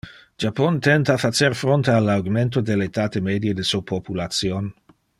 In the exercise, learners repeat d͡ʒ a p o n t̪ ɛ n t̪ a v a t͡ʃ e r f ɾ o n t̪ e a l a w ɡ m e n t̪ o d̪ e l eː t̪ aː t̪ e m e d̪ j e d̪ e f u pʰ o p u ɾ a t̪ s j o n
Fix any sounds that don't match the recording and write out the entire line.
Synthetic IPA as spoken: d͡ʒ a p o n t̪ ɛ n t̪ a f a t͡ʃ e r f ɾ o n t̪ e a l a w ɡ m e n t̪ o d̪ e l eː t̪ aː t̪ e m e d̪ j e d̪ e s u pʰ o p u l a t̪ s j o n